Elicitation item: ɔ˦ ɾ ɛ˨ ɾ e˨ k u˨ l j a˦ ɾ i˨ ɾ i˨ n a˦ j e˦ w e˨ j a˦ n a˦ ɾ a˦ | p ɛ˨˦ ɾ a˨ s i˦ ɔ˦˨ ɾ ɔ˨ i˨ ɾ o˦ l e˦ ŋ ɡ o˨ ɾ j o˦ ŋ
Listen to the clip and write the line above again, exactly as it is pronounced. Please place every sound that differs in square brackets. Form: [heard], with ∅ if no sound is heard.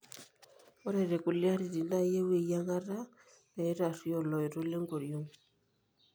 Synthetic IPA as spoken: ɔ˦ ɾ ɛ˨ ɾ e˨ k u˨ l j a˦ ɾ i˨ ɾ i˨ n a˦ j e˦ w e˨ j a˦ [ŋ] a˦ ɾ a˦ | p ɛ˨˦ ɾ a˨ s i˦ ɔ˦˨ [l] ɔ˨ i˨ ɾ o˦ l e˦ ŋ ɡ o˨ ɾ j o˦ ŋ

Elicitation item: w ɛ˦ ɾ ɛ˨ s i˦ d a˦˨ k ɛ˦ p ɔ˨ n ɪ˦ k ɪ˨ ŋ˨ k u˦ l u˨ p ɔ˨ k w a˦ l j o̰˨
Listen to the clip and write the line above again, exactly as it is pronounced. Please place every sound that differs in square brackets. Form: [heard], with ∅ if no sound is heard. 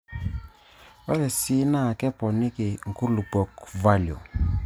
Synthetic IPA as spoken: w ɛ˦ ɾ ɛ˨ s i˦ [n] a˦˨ k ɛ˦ p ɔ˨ n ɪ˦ k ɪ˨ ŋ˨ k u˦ l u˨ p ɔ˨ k [v] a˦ l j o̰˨

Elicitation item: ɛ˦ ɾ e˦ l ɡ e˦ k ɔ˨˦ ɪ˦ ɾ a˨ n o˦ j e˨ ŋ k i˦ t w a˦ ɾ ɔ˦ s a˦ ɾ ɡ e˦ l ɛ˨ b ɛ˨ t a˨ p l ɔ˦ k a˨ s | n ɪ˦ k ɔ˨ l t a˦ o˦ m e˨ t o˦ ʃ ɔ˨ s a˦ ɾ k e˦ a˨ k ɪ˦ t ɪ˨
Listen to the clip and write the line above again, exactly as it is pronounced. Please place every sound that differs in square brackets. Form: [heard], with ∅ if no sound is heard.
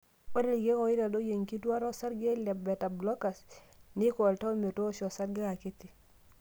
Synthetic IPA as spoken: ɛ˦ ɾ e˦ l ɡ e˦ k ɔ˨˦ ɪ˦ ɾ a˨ [d] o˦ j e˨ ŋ k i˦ t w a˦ ɾ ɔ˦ s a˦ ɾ ɡ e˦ l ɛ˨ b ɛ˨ t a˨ [b] l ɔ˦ k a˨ s | n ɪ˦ k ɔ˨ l t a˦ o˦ m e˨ t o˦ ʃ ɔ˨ s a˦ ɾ [ɡ] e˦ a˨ k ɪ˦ t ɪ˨

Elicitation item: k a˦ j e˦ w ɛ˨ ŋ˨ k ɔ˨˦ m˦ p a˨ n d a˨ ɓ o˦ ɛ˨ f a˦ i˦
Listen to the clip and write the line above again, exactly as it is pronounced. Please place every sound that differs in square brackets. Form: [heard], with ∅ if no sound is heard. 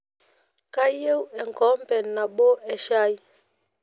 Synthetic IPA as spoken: k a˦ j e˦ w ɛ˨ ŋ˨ k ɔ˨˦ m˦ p [ɛ˨] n [n] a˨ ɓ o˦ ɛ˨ [ʃ] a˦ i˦

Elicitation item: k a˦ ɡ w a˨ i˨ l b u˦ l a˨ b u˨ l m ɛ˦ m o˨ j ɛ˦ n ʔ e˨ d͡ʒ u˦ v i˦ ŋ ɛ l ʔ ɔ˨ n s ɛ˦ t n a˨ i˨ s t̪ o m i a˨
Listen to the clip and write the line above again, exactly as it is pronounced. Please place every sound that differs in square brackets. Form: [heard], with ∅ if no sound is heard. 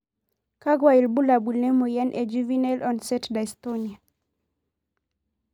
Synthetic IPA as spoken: k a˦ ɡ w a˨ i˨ l b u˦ l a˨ b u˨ l [n] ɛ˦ m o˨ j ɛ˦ n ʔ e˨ d͡ʒ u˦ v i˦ [n] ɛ l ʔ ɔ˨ n s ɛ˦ t [d] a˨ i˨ s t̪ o [n] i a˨

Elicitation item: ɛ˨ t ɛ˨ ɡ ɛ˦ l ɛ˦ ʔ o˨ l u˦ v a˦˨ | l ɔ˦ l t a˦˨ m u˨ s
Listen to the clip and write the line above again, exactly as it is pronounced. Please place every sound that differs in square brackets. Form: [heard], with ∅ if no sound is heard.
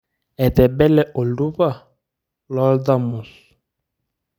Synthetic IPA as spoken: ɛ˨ t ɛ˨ [b] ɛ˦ l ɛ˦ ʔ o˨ l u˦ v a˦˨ | l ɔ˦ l [d] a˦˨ m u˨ s

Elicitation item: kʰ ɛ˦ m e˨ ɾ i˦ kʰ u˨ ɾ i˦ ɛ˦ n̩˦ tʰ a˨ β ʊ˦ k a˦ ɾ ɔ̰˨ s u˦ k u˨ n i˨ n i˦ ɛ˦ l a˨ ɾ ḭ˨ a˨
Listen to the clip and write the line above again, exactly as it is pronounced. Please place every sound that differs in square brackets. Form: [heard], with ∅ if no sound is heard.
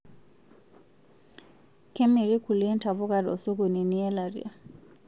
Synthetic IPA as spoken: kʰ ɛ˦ m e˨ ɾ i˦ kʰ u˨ [l] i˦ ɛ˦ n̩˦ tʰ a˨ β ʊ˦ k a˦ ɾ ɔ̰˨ s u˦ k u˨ n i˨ n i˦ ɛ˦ l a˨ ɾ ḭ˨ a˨

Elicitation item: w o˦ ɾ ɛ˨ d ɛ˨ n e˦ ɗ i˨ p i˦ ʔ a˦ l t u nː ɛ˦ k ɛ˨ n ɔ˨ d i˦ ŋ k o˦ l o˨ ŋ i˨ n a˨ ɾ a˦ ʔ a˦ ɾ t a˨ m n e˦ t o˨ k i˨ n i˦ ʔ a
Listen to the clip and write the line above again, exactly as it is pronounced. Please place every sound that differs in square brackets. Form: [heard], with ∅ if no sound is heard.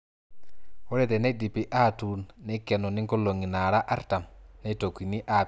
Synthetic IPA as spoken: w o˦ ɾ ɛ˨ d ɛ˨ n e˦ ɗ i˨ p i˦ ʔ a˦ [∅] t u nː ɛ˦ k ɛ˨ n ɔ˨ [n] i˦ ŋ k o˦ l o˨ ŋ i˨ n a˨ ɾ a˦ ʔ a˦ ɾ t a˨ m n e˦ t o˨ k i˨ n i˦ ʔ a

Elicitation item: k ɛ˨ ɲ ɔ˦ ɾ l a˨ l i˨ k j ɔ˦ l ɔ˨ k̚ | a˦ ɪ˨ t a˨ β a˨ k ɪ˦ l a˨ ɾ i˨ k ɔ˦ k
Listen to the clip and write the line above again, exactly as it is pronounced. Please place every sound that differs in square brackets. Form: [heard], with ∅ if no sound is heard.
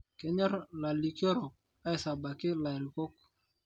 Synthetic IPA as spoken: k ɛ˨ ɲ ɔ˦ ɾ l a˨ l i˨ k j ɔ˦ [ɾ] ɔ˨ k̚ | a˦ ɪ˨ [s] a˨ [b] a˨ k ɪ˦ l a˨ ɾ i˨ k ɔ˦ k

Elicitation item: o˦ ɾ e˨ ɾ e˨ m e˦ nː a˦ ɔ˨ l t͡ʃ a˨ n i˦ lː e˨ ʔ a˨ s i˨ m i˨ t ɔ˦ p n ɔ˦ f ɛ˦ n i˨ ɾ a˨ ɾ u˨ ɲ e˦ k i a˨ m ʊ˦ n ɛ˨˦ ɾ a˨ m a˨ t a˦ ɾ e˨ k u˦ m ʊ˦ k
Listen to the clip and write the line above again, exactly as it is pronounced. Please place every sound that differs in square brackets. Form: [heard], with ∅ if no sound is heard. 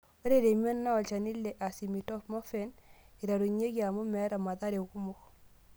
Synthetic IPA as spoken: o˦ ɾ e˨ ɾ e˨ m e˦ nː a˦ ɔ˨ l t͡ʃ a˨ n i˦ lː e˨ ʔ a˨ s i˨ m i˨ t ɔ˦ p [m] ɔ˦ f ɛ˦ n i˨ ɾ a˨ ɾ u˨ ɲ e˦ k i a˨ m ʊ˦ [m] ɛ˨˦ ɾ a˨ m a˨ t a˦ ɾ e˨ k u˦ m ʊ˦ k

